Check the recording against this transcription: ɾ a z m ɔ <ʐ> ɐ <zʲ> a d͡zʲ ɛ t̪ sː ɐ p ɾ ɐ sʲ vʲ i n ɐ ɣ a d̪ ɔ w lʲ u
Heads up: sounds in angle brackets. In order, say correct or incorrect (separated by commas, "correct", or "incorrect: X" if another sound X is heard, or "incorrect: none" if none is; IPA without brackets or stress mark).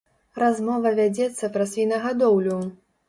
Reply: incorrect: v, incorrect: vʲ